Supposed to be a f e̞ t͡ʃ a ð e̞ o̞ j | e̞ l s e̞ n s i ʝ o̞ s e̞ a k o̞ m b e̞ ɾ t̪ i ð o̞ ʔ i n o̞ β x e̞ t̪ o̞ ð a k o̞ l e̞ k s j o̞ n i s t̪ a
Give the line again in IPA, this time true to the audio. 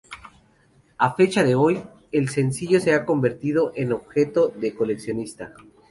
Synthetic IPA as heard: a f e̞ t͡ʃ a ð e̞ o̞ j | e̞ l s e̞ n s i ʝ o̞ s e̞ a k o̞ m b e̞ ɾ t̪ i ð o̞ ʔ e n o̞ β x e̞ t̪ o̞ ð e k o̞ l e̞ k s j o̞ n i s t̪ a